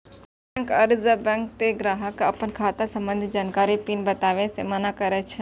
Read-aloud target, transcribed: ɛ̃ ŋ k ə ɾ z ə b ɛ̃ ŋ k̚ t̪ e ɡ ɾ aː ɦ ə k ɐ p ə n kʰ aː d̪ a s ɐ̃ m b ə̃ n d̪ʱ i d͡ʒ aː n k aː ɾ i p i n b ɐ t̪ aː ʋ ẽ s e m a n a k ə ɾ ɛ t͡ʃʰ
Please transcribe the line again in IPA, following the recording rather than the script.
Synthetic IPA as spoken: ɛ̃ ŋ k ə ɾ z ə b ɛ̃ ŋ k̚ t̪ e ɡ ɾ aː ɦ ə k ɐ p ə n kʰ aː t̪ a s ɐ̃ m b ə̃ n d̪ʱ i d͡ʒ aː n k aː ɾ i p i n b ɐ t̪ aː ʋ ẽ s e m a n a k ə ɾ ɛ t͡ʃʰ